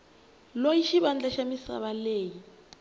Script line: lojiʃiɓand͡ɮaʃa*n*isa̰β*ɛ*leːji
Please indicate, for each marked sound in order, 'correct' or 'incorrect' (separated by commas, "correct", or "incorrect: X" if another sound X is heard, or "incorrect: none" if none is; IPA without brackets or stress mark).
incorrect: m, incorrect: a